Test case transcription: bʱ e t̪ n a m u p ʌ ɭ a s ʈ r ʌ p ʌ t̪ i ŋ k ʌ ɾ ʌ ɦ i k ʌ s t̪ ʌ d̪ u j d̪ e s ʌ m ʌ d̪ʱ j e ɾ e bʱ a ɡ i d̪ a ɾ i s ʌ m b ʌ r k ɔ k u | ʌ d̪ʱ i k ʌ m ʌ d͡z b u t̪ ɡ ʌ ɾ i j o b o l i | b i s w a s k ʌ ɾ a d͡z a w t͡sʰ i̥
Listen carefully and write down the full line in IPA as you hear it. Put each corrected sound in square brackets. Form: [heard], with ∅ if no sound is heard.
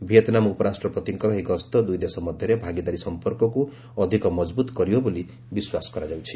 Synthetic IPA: bʱ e t̪ n a m u p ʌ [ɾ] a s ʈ r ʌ p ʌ t̪ i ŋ k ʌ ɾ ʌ ɦ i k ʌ s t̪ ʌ d̪ u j d̪ e s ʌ m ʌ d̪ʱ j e ɾ e bʱ a ɡ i d̪ a ɾ i s ʌ m [p] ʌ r k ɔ k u | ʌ d̪ʱ i k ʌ m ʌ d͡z b u t̪ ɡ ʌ ɾ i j o b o l i | b i s w a s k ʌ ɾ a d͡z a w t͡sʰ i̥